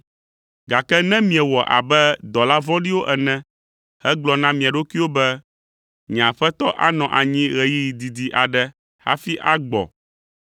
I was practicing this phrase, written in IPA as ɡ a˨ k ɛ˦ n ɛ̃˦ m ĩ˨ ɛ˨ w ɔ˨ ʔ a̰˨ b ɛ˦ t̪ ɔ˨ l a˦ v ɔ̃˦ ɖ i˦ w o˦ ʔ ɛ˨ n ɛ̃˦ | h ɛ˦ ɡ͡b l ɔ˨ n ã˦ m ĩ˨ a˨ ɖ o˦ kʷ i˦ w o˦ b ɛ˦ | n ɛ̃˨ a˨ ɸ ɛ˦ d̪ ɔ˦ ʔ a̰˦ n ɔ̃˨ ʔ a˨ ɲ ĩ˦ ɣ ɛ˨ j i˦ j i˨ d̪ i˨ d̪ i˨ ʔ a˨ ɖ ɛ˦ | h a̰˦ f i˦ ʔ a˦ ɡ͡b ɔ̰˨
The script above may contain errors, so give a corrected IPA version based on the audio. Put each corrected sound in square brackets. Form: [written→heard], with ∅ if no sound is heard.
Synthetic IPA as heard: ɡ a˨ k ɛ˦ n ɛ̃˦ m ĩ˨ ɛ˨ w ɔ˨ ʔ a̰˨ b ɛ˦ [t̪→d̪] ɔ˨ l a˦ v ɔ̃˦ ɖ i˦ w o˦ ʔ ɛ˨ n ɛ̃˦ | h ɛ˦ ɡ͡b l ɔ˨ n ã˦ m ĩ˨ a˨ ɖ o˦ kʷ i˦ w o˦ b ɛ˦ | [n→ɲ] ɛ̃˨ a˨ ɸ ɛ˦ [d̪→t̪] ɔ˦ ʔ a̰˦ n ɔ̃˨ ʔ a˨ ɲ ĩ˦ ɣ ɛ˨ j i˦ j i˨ d̪ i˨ d̪ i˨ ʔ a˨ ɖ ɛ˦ | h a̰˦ f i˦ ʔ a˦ ɡ͡b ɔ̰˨

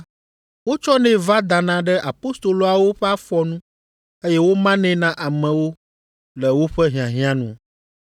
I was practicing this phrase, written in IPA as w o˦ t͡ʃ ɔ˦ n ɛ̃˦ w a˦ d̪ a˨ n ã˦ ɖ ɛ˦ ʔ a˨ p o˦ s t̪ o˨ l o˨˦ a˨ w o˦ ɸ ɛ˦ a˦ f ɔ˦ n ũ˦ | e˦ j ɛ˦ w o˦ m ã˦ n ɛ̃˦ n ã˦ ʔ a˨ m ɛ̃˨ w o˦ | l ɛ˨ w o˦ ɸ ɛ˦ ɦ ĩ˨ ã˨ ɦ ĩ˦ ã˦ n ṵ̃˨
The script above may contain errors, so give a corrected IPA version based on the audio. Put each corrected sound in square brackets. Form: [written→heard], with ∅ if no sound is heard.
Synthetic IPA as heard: w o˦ t͡ʃ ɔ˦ n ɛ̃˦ [w→v] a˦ d̪ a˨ n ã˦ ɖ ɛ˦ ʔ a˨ p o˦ s t̪ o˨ l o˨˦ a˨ w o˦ ɸ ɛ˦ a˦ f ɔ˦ n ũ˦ | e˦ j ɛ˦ w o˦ m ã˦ n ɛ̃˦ n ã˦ ʔ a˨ m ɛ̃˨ w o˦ | l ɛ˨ w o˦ ɸ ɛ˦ ɦ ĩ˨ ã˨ ɦ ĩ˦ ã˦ n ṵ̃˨

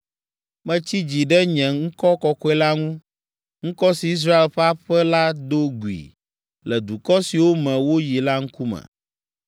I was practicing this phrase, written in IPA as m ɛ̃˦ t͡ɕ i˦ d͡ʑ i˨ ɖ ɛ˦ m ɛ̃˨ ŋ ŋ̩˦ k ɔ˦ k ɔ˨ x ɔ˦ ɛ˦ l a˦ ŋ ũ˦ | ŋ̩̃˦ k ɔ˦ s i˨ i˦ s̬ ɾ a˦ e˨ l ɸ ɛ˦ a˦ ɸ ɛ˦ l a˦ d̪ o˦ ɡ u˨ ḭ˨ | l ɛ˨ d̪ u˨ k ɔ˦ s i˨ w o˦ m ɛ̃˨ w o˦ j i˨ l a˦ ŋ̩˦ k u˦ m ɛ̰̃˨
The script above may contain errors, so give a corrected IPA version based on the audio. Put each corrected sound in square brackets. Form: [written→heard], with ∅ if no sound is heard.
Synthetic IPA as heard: m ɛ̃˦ t͡ɕ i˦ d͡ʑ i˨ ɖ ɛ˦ [m→ɲ] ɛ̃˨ ŋ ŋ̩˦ k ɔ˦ k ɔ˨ [x→k] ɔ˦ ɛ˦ l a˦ ŋ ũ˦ | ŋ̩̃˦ k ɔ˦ s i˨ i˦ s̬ ɾ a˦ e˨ l ɸ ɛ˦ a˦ ɸ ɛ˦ l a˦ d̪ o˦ ɡ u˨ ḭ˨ | l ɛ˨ d̪ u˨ k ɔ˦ s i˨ w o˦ m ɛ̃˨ w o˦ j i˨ l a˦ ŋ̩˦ k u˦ m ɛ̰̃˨

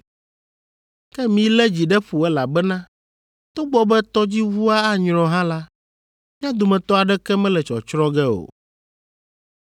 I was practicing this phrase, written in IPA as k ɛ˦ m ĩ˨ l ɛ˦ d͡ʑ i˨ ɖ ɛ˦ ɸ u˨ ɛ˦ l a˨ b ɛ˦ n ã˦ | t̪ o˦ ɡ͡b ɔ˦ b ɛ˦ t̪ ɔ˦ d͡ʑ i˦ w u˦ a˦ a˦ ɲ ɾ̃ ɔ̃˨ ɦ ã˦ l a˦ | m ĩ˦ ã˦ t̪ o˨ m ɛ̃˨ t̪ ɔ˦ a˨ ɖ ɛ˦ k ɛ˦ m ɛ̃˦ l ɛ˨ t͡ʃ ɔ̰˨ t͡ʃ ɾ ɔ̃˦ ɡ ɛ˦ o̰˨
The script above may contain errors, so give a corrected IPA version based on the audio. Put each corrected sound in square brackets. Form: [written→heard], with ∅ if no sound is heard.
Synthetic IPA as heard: k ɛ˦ m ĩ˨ l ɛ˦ d͡ʑ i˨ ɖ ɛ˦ ɸ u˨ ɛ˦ l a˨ b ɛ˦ n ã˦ | t̪ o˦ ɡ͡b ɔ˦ b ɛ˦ t̪ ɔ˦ d͡ʑ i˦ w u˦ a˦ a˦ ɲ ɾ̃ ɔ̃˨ ɦ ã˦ l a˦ | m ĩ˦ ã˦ [t̪→d̪] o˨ m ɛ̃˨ t̪ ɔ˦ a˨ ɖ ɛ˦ k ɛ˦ m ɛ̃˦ l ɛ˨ t͡ʃ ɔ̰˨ t͡ʃ ɾ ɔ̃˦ ɡ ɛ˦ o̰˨

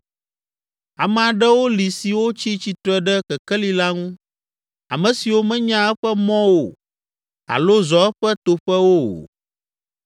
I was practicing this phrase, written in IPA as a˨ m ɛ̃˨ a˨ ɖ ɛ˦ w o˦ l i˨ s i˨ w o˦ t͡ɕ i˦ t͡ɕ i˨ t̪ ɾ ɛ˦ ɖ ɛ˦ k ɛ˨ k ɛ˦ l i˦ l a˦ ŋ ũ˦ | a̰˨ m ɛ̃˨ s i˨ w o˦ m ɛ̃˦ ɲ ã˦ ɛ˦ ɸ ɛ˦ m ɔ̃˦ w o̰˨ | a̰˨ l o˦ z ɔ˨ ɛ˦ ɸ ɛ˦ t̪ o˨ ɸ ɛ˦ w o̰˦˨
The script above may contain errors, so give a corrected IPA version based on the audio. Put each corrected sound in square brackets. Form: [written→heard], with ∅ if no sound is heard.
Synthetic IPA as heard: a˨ m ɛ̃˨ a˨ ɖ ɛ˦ w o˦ l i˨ s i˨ w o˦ t͡ɕ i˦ t͡ɕ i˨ t̪ ɾ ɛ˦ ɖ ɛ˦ k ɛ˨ k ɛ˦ l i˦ l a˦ ŋ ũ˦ | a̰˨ m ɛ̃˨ s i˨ w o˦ m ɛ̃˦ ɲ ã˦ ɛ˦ ɸ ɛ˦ m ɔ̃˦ w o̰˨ | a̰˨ l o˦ z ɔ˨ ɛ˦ ɸ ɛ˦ t̪ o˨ ɸ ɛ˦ w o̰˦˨

